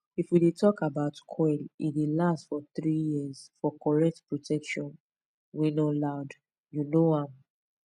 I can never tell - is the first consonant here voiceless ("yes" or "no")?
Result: yes